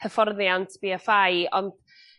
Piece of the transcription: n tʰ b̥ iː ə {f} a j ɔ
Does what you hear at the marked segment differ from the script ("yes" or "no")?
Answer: no